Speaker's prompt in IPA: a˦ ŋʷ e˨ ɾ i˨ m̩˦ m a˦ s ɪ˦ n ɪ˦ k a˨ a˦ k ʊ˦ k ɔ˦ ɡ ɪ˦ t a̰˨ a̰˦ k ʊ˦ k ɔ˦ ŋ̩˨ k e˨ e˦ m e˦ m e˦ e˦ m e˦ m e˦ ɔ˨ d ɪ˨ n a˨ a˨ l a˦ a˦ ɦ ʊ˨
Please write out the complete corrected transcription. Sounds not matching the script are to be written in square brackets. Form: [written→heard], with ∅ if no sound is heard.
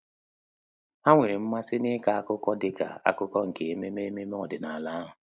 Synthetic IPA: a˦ ŋʷ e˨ ɾ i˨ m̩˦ m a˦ s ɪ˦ n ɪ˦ k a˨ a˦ k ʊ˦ k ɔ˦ [ɡ→d] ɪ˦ [t→k] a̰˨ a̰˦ k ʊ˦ k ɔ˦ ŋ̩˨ k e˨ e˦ m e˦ m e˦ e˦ m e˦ m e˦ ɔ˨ d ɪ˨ n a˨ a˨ l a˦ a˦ ɦ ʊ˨